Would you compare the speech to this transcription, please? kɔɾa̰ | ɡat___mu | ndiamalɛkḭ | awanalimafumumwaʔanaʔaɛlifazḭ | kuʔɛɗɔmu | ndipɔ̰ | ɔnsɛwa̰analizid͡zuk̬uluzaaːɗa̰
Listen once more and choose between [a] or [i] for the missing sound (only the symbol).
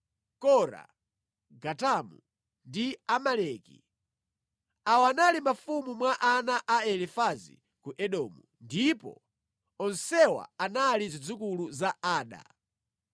a